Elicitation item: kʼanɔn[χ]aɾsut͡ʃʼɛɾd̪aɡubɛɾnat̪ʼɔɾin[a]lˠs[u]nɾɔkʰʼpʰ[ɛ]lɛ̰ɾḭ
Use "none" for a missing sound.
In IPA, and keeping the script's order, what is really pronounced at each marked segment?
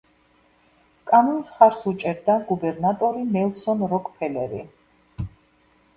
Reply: χ, ɛ, ɔ, ɛ

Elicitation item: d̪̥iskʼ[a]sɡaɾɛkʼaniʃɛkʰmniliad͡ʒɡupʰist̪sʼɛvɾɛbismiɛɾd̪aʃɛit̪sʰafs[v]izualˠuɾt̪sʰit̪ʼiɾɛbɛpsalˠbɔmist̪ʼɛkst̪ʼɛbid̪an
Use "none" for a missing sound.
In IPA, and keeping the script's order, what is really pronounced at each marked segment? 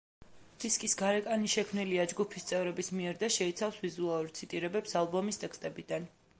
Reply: i, v

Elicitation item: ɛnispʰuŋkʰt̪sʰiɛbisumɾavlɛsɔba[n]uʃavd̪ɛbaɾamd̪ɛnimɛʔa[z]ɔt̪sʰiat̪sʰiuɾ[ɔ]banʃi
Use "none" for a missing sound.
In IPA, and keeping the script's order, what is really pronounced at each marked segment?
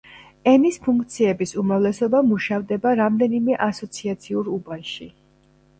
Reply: m, s, u

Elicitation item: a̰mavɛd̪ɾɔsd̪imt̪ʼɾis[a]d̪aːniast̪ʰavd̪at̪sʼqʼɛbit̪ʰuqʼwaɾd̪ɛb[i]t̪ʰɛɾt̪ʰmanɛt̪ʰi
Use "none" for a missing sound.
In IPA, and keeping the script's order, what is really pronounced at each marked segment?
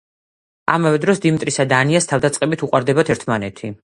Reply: a, a

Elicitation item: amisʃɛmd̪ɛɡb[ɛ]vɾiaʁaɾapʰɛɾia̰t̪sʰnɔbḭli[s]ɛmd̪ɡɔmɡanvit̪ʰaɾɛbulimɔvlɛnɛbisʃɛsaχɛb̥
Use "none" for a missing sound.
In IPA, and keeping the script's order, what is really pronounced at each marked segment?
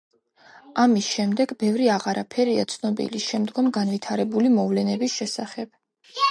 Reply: ɛ, ʃ

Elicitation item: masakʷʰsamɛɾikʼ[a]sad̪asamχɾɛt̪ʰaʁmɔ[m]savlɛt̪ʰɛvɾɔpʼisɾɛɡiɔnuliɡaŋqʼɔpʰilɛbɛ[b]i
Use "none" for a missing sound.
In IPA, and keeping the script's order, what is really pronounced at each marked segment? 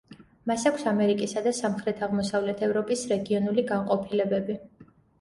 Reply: i, none, b

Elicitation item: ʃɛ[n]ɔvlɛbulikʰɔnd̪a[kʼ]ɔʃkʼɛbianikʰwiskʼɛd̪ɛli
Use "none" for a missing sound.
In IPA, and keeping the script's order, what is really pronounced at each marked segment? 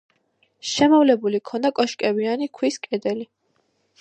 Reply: m, kʼ

